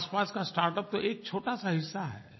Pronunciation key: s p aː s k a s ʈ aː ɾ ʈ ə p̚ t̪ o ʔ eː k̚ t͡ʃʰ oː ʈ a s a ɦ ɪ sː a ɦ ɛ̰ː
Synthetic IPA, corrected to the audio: s p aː s k a s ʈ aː ɾ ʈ ə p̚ t̪ o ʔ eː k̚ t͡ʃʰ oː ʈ a s a ɦ ɪ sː a ɦ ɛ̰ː